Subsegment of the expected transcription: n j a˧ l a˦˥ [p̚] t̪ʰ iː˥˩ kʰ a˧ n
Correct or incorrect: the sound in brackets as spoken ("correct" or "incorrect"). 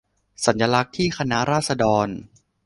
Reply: incorrect